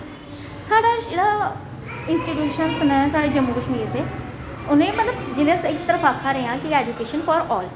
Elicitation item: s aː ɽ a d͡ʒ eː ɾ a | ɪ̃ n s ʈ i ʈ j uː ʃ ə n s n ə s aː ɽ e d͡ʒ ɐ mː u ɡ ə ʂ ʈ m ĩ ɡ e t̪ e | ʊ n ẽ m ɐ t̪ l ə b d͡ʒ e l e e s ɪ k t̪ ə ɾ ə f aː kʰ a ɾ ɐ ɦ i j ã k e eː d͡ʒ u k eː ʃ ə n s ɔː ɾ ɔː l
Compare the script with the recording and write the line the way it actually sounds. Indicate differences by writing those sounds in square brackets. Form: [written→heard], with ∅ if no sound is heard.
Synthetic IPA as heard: s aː ɽ a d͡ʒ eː [ɾ→ɽ] a | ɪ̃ n s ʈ i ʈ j uː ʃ ə n s n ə s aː ɽ e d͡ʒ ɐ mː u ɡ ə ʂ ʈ m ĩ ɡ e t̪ e | ʊ n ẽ m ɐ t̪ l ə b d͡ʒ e l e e s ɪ k t̪ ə ɾ ə f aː kʰ a ɾ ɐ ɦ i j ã k [e→i] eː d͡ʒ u k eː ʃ ə n [s→f] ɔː ɾ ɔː l